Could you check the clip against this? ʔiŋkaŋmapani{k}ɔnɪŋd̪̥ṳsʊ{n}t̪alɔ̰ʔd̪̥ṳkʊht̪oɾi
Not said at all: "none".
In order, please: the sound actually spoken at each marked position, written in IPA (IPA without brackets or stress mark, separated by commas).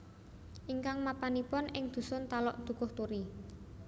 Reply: p, n